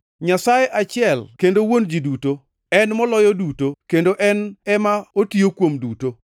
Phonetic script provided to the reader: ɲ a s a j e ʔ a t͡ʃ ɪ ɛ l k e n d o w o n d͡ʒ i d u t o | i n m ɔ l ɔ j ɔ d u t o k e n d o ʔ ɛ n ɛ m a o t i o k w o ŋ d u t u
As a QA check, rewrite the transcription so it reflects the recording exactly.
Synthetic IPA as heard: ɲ a s a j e ʔ a t͡ʃ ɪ ɛ l k e n d o w o n d͡ʒ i d u t o | ɛ n m ɔ l ɔ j ɔ d u t o k e n d o ʔ ɛ n ɛ m a o t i o k w o m d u t o